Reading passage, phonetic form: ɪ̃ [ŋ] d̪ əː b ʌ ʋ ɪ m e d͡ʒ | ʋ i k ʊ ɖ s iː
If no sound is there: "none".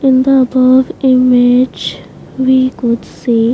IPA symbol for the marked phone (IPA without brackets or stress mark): n